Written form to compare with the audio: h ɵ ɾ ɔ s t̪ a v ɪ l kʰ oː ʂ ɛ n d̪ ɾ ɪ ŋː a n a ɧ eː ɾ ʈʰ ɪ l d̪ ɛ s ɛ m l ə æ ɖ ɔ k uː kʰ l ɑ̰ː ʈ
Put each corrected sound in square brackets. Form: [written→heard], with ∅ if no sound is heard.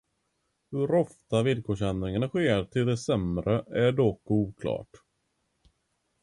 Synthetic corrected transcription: h ɵ ɾ ɔ [s→f] t̪ a v ɪ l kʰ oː ʂ ɛ n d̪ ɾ ɪ [ŋː→ŋ] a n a ɧ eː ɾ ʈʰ ɪ l d̪ ɛ s ɛ m [l→ɾ] ə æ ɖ ɔ k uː kʰ l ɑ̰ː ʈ